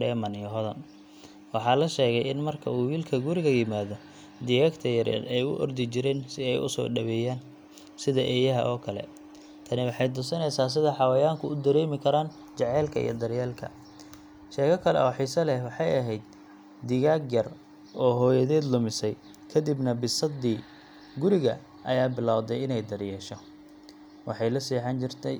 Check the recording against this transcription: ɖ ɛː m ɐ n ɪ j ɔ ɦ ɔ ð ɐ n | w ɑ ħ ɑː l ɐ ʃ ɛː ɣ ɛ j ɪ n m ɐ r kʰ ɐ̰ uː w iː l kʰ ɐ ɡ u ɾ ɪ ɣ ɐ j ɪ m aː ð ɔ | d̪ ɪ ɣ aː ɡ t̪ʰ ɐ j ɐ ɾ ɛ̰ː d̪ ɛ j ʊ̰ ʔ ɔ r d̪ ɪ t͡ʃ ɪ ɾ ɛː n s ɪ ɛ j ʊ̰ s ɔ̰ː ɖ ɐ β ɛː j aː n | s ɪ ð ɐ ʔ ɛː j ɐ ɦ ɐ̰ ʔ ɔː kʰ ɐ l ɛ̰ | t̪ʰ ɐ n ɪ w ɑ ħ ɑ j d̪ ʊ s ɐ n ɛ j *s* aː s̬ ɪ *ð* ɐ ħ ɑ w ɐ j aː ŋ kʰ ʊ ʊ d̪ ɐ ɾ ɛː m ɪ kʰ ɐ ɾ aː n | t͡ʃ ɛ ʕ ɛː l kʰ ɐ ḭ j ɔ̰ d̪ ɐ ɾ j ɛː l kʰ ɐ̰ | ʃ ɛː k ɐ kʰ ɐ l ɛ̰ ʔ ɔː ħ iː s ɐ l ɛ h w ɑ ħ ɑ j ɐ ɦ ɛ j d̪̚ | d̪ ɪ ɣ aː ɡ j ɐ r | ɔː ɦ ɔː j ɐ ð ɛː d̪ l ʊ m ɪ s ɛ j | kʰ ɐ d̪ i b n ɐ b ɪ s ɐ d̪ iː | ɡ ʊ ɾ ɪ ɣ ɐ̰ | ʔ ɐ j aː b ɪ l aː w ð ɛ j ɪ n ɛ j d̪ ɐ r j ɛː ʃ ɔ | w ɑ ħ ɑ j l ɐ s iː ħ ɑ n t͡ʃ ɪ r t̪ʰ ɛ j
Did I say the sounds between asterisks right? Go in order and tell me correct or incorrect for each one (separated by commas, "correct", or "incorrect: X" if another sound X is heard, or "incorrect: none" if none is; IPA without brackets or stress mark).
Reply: correct, correct